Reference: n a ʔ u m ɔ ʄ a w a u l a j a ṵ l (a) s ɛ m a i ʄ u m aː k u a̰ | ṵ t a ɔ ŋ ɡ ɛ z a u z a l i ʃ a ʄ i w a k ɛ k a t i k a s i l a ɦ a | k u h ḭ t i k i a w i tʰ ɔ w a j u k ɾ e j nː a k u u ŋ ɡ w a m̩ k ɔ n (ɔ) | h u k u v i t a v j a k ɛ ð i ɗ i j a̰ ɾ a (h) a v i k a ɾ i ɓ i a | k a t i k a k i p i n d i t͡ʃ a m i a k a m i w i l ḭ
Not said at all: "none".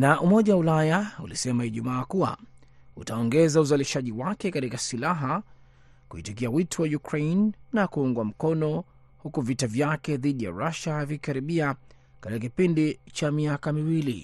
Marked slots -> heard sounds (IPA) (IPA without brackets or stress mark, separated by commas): i, ɔ, ʃ